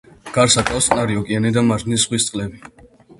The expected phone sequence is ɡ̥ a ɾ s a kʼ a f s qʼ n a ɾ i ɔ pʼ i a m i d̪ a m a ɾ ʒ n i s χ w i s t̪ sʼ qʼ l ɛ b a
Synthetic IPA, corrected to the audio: ɡ̥ a ɾ s a kʼ a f s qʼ n a ɾ i ɔ kʼ i a n i d̪ a m a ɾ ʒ n i s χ w i s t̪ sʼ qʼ l ɛ b i